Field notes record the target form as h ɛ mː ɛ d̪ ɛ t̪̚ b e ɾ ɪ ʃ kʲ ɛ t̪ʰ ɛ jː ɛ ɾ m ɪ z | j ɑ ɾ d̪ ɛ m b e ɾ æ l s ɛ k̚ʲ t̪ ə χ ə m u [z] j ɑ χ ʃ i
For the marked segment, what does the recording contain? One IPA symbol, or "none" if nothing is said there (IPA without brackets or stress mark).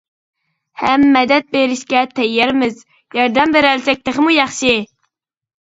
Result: none